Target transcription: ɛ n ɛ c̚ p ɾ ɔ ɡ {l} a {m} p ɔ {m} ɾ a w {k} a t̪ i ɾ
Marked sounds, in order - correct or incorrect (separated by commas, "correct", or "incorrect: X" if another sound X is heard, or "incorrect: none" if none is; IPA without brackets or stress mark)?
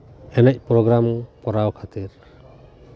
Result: incorrect: ɾ, correct, incorrect: none, incorrect: kʰ